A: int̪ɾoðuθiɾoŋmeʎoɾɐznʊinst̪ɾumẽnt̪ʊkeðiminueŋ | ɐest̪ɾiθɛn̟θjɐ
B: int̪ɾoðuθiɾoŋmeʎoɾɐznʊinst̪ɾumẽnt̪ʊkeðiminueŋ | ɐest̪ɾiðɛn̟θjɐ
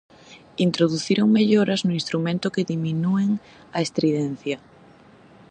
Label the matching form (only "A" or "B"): B